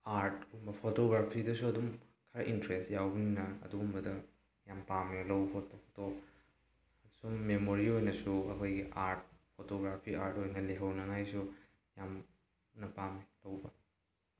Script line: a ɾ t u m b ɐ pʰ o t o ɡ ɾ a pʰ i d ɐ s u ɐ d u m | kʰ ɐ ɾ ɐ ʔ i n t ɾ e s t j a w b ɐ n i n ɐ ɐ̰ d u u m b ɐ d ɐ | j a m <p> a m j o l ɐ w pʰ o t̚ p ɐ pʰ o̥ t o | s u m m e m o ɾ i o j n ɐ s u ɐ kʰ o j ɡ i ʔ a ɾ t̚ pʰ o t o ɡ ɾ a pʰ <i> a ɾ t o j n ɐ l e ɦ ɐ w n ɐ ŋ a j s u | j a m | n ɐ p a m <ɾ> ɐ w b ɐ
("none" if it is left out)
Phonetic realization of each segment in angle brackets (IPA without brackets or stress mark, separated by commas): p, i, l